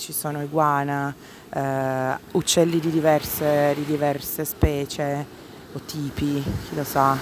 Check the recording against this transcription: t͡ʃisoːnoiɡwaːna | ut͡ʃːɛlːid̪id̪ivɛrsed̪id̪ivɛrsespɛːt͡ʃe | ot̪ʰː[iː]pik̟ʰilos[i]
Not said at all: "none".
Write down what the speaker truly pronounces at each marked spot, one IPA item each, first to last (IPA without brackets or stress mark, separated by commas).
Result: iː, a